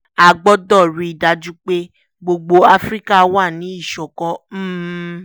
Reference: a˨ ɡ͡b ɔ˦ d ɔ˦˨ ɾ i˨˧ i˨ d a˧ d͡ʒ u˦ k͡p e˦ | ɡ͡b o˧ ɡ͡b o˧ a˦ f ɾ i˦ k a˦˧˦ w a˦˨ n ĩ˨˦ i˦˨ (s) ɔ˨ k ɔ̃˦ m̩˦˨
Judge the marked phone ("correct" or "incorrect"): incorrect